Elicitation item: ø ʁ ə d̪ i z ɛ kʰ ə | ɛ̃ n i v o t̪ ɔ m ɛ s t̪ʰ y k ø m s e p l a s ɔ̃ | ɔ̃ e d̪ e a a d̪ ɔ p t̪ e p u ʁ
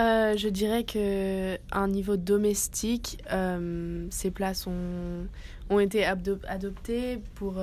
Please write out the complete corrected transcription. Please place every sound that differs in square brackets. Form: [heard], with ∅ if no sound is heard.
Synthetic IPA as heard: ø [ʒ] ə d̪ i [ʁ] ɛ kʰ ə | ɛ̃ n i v o [d̪] ɔ m ɛ s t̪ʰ [i] k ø m s e p l a s ɔ̃ | ɔ̃ e [t̪] e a a d̪ ɔ p t̪ e p u ʁ